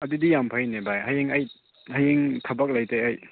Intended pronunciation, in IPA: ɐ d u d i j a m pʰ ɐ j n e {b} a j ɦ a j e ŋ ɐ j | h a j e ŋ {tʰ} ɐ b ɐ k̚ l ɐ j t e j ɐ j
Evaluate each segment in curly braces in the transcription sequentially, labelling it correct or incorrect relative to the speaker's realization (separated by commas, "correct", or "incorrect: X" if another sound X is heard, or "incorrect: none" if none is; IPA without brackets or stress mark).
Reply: correct, correct